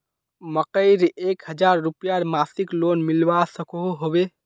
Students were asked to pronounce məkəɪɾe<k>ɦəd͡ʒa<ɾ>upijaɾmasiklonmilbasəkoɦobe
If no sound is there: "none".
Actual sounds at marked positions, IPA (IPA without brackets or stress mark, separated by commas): k, ɾː